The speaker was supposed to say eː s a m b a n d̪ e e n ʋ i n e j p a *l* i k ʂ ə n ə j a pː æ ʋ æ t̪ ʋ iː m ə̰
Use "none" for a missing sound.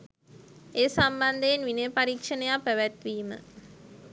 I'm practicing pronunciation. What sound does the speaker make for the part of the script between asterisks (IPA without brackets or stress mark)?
ɾ